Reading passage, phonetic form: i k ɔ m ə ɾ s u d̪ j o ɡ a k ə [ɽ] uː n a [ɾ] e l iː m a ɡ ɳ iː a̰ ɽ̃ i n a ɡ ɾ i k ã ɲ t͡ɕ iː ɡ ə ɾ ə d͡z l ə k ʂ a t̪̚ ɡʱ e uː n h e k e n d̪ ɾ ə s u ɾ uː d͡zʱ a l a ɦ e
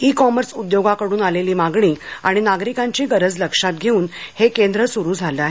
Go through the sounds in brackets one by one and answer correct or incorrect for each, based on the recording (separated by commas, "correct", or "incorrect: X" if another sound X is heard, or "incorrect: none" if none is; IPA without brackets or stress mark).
correct, incorrect: l